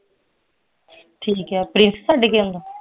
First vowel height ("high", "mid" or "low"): high